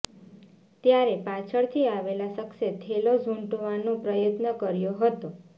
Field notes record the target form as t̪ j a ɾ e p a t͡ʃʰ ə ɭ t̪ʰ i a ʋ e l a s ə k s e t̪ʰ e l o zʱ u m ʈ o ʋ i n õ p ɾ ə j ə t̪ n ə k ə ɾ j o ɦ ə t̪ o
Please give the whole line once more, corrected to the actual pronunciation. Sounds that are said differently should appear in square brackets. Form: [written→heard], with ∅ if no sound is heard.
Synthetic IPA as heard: t̪ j a ɾ e p a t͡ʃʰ ə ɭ t̪ʰ i a ʋ e l a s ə k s e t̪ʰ e l o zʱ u [m→ɳ] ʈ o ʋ [i→a] n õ p ɾ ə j ə t̪ n ə k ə ɾ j o ɦ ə t̪ o